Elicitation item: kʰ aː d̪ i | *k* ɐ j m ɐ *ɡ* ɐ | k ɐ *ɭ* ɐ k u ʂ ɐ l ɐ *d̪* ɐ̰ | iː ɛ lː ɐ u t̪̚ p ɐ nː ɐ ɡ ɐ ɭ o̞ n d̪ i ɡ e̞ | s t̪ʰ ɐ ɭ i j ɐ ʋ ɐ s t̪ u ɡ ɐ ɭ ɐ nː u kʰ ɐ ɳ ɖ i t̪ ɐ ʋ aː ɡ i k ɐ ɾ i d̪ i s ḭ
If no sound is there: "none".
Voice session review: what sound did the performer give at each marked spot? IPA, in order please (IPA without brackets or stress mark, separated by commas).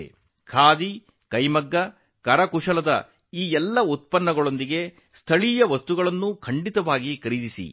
k, ɡː, ɾ, d̪